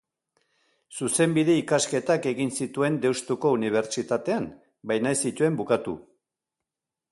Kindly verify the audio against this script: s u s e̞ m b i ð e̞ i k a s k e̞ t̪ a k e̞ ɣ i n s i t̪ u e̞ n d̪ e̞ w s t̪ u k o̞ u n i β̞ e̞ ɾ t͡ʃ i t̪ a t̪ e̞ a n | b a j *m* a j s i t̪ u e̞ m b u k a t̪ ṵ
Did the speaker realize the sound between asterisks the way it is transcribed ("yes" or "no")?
no